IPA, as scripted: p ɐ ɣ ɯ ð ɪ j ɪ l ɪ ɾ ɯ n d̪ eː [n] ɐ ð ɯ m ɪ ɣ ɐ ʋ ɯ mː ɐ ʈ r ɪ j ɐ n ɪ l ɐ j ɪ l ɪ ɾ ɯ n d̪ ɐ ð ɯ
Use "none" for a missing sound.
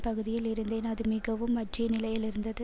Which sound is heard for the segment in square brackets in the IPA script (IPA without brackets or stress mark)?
n